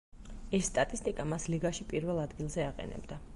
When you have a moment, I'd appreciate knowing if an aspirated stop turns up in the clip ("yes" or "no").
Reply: no